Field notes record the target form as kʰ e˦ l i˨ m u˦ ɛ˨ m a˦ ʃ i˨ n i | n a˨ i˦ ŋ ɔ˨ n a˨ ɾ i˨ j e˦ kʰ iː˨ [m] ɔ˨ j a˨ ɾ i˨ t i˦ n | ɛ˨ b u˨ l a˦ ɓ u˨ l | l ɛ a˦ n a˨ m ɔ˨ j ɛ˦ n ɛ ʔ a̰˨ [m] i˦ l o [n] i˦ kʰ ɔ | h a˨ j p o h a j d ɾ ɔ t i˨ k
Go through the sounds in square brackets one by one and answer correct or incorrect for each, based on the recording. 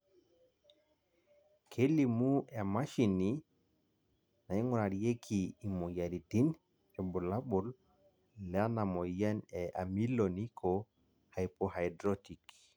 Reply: correct, correct, correct

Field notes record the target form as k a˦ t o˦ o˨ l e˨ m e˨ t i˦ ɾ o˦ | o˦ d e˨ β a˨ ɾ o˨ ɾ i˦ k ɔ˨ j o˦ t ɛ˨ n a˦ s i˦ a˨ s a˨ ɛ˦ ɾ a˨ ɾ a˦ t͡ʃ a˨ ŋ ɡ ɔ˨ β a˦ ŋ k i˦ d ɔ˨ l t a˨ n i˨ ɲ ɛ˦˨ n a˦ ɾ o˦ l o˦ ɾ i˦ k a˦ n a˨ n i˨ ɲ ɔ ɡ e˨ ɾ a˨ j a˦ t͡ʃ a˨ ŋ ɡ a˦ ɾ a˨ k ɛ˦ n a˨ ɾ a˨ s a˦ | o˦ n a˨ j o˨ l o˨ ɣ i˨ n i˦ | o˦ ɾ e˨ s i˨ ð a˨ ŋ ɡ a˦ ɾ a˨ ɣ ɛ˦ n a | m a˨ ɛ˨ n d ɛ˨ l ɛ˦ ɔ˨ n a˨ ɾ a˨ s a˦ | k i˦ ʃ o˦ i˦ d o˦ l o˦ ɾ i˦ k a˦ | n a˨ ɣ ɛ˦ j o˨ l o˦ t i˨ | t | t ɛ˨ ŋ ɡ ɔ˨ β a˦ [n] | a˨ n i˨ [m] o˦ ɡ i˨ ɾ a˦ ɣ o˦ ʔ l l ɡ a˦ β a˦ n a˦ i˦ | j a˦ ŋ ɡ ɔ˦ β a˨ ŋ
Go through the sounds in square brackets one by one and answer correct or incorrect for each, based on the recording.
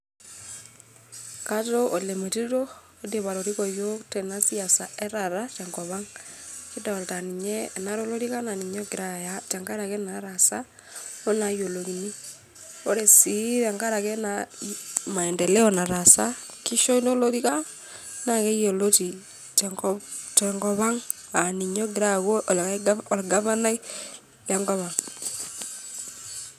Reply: incorrect: ŋ, incorrect: ɲ

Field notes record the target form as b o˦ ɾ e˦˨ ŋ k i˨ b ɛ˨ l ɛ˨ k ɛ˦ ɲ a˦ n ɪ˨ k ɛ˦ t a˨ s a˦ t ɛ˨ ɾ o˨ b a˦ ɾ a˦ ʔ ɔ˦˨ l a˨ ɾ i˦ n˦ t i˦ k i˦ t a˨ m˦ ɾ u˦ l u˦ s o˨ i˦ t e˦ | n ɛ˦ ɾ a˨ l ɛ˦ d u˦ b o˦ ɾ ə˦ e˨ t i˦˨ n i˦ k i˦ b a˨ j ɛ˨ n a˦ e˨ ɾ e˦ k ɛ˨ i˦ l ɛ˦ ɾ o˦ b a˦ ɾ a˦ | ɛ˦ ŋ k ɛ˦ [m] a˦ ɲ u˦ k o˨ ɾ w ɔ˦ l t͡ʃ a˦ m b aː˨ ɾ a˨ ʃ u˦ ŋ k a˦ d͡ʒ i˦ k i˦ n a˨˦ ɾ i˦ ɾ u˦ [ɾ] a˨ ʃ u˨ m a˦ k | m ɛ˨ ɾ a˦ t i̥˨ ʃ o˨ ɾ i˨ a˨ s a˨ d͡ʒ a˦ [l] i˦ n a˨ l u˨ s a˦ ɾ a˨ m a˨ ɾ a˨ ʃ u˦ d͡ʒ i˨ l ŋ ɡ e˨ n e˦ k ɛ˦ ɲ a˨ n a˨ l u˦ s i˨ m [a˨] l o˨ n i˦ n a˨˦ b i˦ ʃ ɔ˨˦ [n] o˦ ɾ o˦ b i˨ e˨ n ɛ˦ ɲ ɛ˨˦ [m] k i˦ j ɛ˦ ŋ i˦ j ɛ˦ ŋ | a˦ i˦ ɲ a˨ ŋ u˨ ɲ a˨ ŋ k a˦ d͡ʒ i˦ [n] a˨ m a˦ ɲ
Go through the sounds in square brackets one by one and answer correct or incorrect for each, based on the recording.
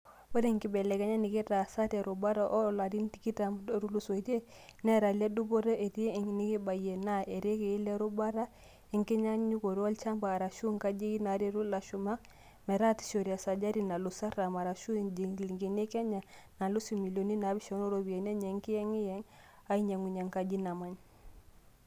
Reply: incorrect: ɲ, incorrect: l, incorrect: ɾ, incorrect: i˨, correct, incorrect: ŋ, correct

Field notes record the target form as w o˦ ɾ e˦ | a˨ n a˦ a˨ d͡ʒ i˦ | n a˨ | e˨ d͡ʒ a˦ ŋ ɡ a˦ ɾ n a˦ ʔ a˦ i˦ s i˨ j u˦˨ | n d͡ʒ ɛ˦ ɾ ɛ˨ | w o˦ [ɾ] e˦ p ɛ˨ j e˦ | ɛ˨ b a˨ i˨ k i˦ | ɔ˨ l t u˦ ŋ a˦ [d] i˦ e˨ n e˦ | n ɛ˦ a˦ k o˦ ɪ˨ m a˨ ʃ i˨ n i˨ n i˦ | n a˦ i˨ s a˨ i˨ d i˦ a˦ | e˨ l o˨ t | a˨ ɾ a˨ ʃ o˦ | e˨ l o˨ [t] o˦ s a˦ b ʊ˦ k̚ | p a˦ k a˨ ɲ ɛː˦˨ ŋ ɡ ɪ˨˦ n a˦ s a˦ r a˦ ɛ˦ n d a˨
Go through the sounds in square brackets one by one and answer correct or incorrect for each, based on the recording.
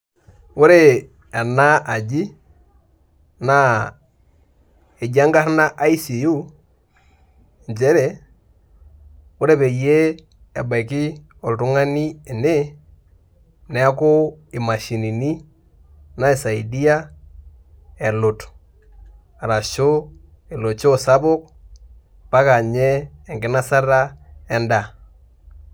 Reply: correct, incorrect: n, incorrect: t͡ʃ

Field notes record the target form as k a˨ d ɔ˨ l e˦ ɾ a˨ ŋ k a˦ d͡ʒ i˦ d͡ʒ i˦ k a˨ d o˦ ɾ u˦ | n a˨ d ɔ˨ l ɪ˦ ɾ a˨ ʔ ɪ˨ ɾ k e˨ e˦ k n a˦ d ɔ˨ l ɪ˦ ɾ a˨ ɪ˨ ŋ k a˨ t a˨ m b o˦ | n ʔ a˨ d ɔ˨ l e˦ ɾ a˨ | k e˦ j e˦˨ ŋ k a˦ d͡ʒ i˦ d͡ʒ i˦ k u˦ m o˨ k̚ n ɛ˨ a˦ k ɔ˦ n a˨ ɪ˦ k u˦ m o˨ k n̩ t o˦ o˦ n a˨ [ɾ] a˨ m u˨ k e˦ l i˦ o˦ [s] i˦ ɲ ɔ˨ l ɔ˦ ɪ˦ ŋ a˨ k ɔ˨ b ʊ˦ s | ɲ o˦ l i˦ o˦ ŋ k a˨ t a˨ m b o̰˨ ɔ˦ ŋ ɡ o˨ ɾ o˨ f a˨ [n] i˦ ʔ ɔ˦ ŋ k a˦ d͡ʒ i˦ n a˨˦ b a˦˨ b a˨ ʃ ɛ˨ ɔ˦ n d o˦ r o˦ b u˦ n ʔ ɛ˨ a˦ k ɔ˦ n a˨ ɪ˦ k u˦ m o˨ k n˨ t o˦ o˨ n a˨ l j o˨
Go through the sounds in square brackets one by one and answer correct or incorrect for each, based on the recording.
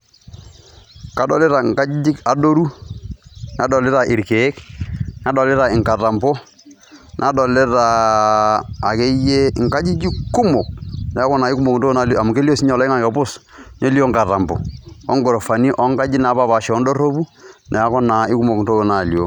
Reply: incorrect: l, correct, correct

